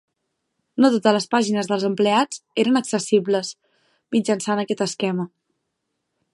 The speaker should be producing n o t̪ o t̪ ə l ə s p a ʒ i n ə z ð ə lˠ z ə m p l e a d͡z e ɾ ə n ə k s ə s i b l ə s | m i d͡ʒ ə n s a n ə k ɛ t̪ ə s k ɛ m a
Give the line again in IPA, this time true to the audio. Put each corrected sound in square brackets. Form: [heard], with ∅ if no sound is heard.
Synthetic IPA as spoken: n o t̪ o t̪ ə l ə s p a ʒ i n ə z ð ə lˠ z ə m p l e a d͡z e ɾ ə n ə k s ə s i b l ə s | m i d͡ʒ ə n s a n ə k ɛ t̪ ə s k ɛ m [ə]